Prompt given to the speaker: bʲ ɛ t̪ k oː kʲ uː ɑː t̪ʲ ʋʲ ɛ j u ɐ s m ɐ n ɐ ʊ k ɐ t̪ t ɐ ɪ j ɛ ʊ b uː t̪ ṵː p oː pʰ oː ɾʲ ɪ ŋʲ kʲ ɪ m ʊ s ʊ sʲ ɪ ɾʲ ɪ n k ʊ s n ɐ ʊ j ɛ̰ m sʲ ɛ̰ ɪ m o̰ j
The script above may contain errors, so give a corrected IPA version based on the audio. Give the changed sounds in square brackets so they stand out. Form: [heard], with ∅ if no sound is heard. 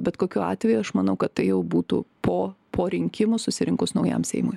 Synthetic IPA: bʲ ɛ t̪ k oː kʲ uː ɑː t̪ʲ ʋʲ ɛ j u ɐ [ʃ] m ɐ n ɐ ʊ k ɐ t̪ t ɐ ɪ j ɛ ʊ b uː t̪ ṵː p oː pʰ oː ɾʲ ɪ ŋʲ kʲ ɪ m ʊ s ʊ sʲ ɪ ɾʲ ɪ [ŋ] k ʊ s n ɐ ʊ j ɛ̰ m sʲ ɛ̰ ɪ m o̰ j